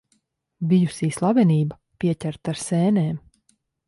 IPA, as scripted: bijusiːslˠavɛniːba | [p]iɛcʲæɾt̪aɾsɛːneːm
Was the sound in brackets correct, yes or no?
yes